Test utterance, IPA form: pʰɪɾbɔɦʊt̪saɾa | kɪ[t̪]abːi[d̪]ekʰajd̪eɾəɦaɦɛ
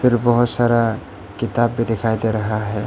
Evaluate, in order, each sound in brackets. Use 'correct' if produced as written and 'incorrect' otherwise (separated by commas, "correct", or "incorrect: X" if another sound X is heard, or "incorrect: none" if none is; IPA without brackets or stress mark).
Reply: correct, correct